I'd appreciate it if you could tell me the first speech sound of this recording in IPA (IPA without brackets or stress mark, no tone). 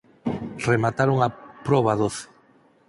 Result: r